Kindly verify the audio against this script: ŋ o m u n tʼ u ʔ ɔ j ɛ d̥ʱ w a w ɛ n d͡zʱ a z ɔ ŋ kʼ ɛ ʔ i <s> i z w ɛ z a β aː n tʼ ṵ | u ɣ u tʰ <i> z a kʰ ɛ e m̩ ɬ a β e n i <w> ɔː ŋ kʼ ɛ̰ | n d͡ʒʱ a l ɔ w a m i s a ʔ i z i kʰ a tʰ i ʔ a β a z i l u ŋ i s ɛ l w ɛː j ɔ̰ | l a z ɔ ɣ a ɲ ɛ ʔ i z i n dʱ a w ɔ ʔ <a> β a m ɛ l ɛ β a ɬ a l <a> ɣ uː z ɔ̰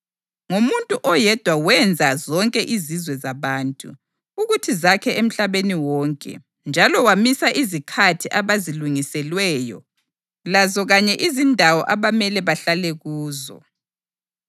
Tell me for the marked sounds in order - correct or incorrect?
incorrect, correct, correct, correct, incorrect

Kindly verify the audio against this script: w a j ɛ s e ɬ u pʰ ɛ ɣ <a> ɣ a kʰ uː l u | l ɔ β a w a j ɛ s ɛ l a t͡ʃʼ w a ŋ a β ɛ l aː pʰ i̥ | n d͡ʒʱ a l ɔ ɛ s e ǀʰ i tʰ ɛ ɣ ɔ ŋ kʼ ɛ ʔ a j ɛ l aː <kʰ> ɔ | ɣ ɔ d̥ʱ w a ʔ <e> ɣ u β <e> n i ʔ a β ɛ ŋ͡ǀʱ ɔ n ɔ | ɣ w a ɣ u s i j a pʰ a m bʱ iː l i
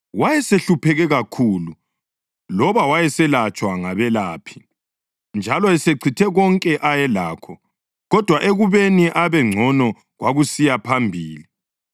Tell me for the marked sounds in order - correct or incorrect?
incorrect, correct, correct, correct

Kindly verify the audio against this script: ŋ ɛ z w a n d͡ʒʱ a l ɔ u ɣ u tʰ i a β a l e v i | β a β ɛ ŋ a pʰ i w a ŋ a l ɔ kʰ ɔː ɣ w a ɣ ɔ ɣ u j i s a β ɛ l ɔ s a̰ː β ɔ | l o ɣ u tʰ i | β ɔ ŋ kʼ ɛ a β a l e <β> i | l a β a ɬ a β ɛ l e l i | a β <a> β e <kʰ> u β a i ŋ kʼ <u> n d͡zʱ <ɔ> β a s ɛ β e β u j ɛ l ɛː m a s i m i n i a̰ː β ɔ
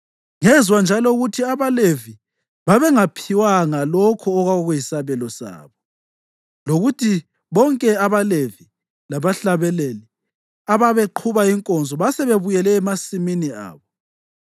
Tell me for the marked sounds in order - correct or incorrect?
incorrect, correct, incorrect, incorrect, correct

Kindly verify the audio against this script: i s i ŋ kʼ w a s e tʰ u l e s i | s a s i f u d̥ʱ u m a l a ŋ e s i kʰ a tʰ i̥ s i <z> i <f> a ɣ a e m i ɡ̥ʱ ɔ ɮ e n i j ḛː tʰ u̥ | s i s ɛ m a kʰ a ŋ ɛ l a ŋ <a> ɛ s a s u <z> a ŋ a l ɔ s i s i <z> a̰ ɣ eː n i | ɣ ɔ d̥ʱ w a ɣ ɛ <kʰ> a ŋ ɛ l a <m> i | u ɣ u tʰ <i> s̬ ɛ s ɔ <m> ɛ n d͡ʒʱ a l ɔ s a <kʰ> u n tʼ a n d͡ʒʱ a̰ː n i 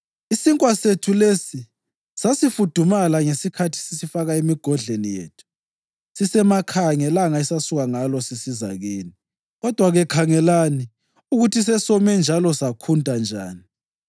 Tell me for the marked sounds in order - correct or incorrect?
incorrect, correct, correct, incorrect, correct, correct, incorrect, correct, correct, correct

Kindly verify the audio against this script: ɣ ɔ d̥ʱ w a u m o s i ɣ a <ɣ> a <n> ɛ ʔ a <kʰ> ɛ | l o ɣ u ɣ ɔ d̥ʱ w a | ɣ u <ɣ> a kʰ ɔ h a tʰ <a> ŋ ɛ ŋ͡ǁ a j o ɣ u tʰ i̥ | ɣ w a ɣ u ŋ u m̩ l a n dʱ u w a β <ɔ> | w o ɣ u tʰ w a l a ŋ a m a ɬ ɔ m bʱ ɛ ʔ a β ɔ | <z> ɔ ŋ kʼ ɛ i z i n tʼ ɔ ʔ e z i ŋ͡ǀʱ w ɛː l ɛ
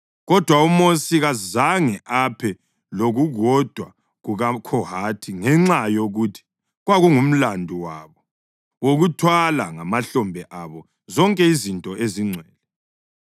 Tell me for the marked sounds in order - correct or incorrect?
incorrect, incorrect, incorrect, correct, incorrect, correct, correct

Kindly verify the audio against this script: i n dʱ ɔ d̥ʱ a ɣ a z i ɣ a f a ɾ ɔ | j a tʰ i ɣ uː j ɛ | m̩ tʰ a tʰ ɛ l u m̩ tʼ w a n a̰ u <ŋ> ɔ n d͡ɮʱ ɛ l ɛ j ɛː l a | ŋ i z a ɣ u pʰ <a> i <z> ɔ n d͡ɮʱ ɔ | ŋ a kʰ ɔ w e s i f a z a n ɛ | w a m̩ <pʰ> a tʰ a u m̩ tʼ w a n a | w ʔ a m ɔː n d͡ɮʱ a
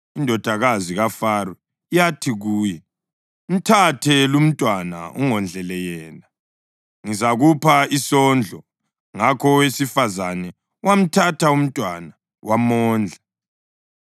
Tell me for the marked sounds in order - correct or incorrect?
correct, correct, incorrect, incorrect

